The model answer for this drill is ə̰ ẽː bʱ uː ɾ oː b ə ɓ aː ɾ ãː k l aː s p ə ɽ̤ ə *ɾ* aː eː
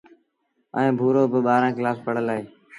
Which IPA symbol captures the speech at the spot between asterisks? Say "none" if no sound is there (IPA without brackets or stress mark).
l